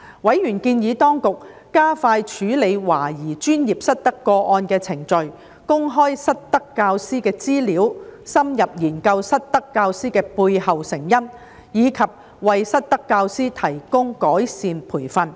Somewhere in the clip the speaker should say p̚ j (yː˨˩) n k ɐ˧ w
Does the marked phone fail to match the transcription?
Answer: yes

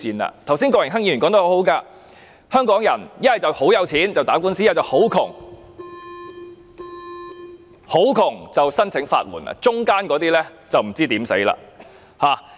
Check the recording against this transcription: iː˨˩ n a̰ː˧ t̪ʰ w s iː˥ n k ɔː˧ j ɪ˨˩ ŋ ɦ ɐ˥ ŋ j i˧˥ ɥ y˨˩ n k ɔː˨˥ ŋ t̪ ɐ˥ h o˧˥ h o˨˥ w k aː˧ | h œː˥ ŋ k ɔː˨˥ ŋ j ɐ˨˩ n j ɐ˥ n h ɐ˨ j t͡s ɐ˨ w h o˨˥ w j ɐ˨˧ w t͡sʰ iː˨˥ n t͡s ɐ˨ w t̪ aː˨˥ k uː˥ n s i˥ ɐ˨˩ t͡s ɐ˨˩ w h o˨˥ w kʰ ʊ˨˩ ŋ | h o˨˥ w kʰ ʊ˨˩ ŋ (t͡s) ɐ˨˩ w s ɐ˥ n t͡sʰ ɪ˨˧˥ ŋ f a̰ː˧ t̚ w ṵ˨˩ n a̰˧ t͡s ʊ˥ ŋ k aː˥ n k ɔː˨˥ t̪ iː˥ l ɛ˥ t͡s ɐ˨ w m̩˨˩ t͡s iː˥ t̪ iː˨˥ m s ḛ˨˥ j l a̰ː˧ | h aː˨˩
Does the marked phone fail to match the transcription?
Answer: no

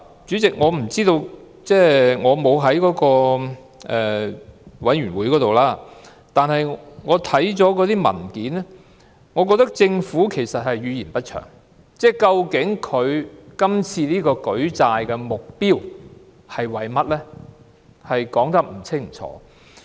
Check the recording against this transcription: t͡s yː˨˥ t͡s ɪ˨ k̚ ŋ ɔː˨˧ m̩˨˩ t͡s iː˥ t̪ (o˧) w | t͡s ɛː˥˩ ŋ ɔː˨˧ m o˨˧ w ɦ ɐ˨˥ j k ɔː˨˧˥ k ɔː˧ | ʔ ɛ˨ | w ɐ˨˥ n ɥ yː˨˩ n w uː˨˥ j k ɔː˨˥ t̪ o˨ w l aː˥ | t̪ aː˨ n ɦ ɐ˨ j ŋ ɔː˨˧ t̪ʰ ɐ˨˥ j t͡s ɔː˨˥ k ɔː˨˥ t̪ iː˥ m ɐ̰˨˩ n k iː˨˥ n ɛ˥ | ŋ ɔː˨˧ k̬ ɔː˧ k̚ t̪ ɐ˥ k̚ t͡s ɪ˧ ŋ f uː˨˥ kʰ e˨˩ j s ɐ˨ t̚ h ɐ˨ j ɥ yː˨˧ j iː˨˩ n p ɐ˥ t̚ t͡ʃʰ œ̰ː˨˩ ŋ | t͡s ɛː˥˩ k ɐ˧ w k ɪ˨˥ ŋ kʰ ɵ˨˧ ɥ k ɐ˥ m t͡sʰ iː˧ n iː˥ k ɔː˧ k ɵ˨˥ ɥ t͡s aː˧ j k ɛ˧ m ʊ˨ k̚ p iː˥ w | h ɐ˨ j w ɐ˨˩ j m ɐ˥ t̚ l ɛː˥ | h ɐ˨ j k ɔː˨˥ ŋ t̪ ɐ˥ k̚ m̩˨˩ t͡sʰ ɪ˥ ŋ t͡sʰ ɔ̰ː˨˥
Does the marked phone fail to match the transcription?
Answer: no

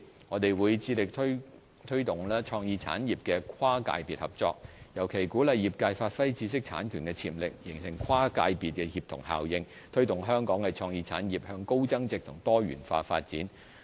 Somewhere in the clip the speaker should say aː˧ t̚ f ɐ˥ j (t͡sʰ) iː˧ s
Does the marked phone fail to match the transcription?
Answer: yes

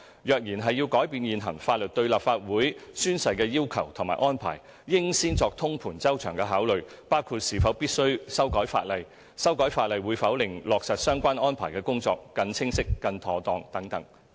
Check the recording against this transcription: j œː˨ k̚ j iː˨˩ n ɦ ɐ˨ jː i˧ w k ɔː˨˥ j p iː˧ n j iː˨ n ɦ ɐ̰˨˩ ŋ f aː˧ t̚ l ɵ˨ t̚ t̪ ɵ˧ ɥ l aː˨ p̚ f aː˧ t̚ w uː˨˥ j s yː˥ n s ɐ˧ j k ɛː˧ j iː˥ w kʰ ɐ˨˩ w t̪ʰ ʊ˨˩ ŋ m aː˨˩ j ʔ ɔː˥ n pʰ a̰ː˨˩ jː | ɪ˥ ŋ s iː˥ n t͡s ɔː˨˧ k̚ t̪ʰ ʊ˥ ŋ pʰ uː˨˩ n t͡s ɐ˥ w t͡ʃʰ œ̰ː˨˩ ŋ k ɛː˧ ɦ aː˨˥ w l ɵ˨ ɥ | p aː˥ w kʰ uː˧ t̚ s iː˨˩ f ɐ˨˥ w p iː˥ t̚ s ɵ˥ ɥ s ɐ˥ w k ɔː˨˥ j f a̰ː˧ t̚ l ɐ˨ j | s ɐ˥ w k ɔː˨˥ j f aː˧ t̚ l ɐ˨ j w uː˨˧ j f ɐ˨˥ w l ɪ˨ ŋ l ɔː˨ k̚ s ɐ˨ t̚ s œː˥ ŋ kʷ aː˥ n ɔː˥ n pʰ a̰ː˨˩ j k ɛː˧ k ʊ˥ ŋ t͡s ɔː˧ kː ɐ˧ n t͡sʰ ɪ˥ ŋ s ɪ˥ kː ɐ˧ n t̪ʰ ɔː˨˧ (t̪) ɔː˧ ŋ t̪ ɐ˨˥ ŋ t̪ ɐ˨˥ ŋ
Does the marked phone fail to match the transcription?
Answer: no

